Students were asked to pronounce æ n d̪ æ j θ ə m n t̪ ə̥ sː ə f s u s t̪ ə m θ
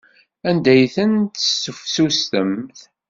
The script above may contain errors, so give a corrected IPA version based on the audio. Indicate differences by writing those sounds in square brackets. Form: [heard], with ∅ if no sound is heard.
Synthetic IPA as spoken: æ n d̪ æ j θ ə [∅] n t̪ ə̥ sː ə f s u s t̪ ə m θ